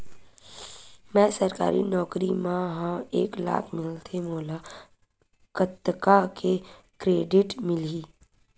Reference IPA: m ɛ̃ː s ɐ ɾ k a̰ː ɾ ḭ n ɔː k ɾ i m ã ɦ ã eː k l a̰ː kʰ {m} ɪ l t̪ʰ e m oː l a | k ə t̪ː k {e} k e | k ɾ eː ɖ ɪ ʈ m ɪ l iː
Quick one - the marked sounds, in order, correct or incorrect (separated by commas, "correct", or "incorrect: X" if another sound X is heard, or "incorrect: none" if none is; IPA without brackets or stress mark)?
correct, incorrect: a